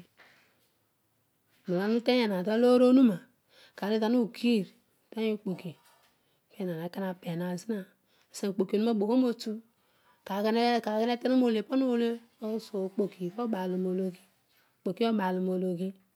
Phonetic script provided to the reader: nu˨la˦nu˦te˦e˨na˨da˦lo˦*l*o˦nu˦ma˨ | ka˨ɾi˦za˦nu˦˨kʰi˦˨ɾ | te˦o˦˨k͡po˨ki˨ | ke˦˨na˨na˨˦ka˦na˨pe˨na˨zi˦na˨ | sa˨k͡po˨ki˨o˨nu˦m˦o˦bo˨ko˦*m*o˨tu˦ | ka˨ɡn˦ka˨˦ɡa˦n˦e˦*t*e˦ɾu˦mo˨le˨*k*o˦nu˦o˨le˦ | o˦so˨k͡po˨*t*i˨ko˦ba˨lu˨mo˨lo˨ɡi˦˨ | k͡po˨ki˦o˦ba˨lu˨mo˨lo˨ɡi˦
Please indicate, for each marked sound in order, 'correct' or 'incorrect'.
incorrect, correct, correct, incorrect, incorrect

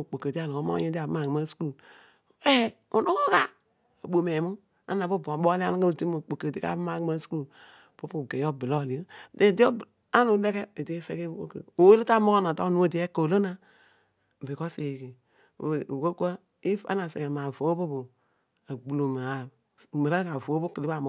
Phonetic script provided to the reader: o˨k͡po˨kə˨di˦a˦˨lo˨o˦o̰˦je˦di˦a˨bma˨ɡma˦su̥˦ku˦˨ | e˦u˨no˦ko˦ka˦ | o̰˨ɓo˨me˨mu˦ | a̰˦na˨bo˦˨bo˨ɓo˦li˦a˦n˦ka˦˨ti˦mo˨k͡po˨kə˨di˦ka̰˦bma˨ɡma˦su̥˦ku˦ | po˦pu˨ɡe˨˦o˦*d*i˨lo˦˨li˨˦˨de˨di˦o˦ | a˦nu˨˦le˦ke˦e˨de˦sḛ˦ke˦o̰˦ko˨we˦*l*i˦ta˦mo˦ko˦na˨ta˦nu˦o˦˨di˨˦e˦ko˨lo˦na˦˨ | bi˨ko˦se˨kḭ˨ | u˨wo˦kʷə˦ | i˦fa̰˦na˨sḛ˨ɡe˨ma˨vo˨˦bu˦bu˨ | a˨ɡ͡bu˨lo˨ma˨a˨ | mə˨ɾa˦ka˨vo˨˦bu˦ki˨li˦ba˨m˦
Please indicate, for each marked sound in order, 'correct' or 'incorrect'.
incorrect, correct

